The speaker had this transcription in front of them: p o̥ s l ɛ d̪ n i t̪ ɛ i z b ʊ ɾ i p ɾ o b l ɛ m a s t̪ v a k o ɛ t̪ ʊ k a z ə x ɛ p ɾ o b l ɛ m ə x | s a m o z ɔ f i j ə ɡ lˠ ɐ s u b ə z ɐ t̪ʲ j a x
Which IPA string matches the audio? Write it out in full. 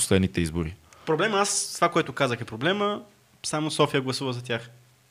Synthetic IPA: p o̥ s l ɛ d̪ n i t̪ ɛ i z b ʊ ɾ i p ɾ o b l ɛ m a s t̪ v a k o ɛ t̪ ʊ k a z ə x ɛ p ɾ o b l ɛ m ə | s a m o s ɔ f i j ə ɡ lˠ ɐ s u v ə z ɐ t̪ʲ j a x